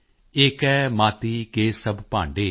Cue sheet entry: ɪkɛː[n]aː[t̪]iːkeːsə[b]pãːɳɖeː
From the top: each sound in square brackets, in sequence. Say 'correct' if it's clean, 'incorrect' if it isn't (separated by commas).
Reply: incorrect, correct, correct